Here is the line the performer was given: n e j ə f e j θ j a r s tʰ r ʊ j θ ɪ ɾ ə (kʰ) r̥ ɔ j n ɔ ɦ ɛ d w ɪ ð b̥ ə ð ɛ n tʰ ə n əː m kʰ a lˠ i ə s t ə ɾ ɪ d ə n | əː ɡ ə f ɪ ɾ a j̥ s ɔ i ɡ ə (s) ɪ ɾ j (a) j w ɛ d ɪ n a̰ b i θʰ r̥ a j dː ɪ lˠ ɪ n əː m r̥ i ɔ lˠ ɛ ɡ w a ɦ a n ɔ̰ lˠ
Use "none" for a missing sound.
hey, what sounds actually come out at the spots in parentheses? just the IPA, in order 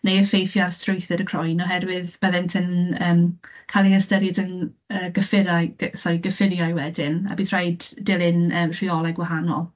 kʰ, f, a

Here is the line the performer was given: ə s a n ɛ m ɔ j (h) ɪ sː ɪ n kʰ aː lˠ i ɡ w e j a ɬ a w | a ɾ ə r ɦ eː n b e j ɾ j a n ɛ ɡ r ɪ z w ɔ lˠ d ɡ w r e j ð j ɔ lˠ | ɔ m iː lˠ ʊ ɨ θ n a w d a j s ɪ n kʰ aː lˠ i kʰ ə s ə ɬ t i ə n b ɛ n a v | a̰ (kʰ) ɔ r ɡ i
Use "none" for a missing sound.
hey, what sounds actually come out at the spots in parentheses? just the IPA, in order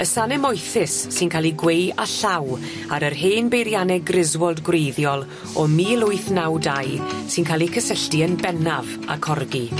θ, kʰ

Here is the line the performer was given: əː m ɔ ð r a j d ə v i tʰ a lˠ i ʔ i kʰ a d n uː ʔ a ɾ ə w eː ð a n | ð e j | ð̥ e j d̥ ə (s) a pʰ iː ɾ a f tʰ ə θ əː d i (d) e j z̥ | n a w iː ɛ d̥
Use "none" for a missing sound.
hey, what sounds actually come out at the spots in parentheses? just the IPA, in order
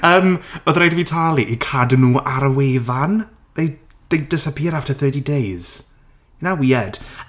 s, d

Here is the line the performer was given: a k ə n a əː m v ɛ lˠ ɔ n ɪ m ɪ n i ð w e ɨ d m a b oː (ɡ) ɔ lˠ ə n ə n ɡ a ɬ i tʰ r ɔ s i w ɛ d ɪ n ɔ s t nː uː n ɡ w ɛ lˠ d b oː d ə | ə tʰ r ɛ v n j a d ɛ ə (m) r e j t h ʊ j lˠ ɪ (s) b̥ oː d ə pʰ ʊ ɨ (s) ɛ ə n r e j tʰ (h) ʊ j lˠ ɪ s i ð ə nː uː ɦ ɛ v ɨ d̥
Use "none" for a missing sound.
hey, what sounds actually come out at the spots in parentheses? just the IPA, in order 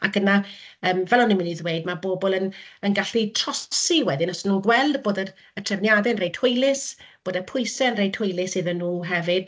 b, n, s, s, h

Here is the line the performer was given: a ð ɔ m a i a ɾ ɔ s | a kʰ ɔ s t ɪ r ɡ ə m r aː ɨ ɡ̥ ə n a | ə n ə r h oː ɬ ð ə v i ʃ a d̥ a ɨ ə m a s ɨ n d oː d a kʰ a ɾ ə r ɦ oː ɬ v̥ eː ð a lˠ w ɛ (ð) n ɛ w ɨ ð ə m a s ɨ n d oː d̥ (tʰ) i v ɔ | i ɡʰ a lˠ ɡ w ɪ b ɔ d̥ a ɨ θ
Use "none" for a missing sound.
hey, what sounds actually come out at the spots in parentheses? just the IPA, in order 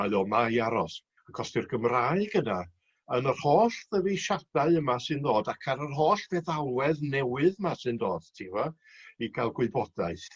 ð, tʰ

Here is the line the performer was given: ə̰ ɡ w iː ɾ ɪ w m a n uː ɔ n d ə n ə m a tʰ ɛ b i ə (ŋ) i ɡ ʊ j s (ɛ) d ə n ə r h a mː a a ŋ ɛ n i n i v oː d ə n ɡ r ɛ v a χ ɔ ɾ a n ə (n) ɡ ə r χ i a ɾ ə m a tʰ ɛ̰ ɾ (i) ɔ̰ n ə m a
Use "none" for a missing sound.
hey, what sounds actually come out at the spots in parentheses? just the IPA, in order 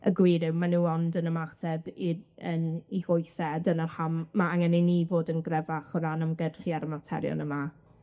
n, ɛ, m, j

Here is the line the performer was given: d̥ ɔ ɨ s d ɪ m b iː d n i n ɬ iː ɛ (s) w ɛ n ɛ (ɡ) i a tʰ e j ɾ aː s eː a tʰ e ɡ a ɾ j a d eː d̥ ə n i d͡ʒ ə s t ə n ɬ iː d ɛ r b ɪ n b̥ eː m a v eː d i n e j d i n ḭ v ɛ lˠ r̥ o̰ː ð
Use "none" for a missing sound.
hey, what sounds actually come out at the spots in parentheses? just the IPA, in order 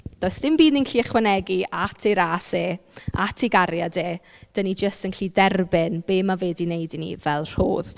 χ, ɡ

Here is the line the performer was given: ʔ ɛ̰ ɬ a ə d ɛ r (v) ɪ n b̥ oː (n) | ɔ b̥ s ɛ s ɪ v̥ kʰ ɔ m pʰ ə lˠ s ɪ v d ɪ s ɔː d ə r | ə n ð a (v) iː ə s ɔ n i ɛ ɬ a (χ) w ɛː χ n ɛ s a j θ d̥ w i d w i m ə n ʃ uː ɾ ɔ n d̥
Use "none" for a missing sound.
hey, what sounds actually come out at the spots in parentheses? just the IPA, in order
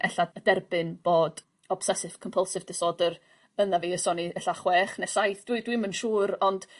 b, d, v, χ

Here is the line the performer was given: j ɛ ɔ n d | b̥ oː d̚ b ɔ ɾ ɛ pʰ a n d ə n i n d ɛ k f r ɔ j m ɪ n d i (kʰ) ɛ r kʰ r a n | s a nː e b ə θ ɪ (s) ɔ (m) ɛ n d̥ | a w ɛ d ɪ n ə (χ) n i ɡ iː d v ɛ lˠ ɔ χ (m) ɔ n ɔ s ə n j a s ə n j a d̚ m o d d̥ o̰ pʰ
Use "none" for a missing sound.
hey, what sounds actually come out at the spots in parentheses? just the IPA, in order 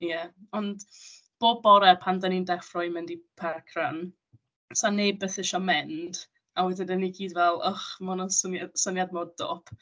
pʰ, ʃ, m, none, m

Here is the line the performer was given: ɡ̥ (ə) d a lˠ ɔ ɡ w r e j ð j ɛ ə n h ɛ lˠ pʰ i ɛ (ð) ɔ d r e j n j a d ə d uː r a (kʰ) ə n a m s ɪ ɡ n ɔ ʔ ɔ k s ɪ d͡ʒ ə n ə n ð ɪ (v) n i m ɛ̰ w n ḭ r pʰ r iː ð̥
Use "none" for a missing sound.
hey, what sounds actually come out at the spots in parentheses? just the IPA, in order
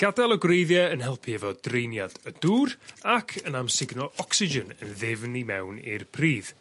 a, v, kʰ, v

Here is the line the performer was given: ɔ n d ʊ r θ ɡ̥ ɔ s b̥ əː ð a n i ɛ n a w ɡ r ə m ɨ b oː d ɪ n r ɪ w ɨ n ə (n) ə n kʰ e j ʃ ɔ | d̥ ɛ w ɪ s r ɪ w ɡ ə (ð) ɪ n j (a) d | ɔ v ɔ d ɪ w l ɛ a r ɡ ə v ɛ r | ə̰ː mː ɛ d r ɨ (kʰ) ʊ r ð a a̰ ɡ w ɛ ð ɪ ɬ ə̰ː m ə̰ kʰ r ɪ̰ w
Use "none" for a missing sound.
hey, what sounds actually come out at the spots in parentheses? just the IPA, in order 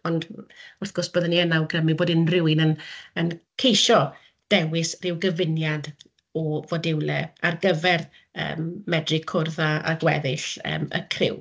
n, v, a, kʰ

